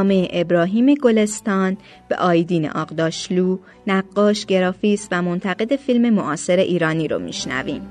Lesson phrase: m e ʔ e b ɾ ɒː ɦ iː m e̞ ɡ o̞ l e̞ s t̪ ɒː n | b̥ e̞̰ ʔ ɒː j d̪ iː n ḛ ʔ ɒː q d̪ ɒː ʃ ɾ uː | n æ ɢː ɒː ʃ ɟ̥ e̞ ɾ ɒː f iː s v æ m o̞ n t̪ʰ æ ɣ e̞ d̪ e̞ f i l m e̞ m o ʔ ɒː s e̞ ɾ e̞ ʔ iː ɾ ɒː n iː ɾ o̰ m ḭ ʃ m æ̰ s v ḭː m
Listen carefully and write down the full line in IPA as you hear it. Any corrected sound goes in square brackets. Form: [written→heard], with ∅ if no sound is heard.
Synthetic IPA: m e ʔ e b ɾ ɒː ɦ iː m e̞ ɡ o̞ l e̞ s t̪ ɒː n | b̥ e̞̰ ʔ ɒː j d̪ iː n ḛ ʔ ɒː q d̪ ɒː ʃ [ɾ→l] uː | n æ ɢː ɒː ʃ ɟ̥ e̞ ɾ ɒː f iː s v æ m o̞ n t̪ʰ æ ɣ e̞ d̪ e̞ f i l m e̞ m o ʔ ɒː s e̞ ɾ e̞ ʔ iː ɾ ɒː n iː ɾ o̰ m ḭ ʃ [m→n] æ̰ [s→∅] v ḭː m